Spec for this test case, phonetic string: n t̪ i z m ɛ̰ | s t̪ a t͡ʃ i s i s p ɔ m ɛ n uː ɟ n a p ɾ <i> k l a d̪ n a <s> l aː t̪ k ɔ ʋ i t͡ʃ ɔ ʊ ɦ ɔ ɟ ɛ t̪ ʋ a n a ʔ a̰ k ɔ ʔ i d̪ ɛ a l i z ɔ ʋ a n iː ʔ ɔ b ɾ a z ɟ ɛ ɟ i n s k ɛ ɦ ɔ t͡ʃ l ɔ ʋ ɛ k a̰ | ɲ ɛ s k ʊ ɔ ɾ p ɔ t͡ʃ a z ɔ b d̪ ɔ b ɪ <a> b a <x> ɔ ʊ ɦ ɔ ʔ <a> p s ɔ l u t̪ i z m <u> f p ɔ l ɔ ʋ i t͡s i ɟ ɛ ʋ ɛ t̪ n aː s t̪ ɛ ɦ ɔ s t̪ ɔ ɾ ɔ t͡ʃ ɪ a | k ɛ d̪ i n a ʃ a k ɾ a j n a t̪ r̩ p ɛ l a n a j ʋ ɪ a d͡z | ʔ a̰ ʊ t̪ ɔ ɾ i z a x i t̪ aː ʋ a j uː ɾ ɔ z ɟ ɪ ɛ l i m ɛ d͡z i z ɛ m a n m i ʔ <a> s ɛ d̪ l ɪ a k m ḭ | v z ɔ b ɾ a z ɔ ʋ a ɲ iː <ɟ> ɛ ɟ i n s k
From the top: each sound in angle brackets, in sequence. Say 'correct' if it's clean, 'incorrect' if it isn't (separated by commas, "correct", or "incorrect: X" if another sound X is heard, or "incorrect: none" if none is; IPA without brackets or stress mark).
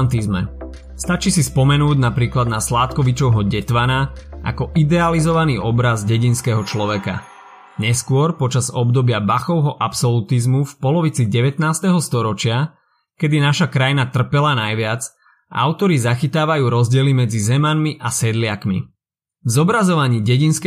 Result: incorrect: iː, correct, correct, correct, correct, correct, correct, correct